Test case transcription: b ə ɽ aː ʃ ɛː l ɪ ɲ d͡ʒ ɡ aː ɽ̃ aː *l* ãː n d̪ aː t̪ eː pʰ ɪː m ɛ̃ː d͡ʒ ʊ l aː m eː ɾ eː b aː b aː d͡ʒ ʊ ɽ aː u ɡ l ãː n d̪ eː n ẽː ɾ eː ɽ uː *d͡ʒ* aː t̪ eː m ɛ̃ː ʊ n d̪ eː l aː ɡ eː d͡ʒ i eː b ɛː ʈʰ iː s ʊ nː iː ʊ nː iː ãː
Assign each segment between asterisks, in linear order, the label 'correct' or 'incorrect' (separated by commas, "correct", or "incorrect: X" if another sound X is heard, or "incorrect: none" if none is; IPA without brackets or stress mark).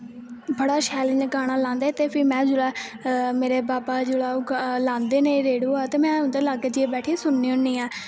correct, incorrect: none